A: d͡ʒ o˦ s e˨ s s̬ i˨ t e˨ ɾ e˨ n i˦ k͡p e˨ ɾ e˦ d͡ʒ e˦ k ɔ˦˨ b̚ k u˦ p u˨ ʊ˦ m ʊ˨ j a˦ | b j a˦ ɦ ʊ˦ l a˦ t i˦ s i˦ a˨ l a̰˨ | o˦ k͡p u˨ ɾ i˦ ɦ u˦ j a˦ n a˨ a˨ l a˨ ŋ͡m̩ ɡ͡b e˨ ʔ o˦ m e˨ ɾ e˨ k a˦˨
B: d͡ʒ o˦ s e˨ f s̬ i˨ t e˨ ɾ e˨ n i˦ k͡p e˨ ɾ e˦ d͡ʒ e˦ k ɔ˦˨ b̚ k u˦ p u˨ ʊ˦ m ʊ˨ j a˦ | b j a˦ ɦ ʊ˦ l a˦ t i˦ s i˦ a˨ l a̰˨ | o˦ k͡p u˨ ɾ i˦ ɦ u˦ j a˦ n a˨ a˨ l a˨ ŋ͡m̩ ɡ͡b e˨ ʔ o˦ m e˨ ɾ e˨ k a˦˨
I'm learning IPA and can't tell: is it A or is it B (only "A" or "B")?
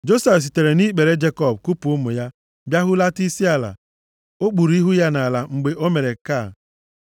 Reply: B